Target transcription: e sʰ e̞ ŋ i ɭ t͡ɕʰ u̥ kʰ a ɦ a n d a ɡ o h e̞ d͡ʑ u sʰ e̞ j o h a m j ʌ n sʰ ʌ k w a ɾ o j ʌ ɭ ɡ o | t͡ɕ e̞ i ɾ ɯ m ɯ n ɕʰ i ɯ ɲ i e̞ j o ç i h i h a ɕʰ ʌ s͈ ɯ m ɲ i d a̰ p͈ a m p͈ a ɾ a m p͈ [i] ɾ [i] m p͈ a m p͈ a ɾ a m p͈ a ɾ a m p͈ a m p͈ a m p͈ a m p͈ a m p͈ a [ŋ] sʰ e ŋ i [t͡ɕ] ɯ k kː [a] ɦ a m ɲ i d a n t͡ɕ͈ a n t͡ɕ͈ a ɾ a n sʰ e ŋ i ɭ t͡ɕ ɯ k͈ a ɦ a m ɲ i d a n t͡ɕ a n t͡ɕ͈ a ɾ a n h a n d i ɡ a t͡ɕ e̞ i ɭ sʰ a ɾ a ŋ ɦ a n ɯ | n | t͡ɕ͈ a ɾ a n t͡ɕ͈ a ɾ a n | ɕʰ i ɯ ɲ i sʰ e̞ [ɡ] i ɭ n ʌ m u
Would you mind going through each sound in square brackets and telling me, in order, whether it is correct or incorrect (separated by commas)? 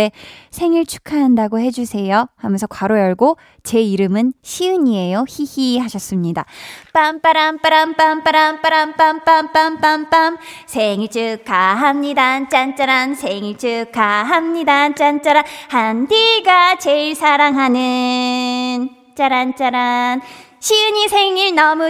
incorrect, incorrect, incorrect, correct, correct, incorrect